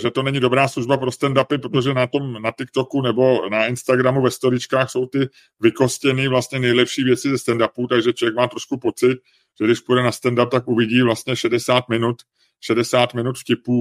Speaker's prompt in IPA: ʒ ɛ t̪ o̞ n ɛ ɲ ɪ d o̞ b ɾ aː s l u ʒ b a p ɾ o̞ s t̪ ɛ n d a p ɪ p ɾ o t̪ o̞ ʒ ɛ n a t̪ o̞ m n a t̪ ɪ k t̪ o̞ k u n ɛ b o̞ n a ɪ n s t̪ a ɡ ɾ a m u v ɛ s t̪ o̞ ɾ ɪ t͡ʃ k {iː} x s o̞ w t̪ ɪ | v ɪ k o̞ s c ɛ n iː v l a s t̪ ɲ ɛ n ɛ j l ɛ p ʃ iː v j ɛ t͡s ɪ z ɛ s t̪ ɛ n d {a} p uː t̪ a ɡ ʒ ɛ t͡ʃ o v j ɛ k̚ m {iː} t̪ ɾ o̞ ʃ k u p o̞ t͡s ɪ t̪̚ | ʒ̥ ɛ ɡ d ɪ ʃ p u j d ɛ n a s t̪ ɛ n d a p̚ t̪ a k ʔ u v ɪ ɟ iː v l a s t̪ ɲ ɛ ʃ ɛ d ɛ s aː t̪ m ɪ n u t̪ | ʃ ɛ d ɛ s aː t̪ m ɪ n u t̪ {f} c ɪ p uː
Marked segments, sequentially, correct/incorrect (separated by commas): incorrect, correct, incorrect, correct